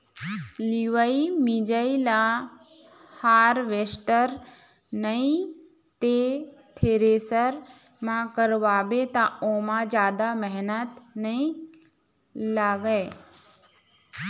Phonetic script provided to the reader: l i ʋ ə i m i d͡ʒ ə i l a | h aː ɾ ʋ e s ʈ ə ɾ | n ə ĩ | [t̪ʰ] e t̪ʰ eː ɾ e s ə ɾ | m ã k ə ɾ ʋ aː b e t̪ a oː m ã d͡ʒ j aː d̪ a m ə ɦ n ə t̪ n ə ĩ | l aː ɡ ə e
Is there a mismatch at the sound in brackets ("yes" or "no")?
yes